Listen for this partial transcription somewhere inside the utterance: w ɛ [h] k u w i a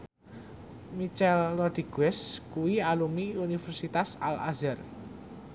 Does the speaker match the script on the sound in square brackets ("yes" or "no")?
no